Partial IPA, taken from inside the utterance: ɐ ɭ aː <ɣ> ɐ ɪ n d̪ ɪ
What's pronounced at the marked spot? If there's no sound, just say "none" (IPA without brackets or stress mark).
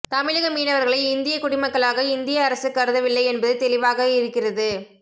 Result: ɣ